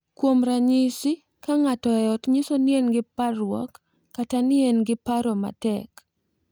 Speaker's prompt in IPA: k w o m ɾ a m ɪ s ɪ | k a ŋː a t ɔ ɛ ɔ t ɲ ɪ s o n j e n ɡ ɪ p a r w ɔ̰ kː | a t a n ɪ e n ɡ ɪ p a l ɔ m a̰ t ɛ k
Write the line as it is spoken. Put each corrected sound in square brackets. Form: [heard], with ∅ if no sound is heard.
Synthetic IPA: k w o m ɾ a [ɲ] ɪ s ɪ | k a [ŋ] a t ɔ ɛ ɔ t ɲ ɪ s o n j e n ɡ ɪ p a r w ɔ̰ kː | a t a n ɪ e n ɡ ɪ p a [ɾ] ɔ m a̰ t ɛ k